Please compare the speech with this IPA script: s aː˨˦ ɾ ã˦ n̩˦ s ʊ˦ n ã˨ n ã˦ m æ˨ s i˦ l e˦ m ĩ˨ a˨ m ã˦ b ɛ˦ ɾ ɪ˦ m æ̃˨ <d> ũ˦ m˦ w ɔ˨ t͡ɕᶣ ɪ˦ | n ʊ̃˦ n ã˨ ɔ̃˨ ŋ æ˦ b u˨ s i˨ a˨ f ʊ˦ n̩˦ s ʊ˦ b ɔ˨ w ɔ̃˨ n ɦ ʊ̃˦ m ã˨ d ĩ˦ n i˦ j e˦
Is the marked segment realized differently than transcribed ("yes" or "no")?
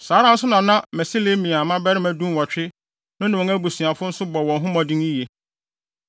no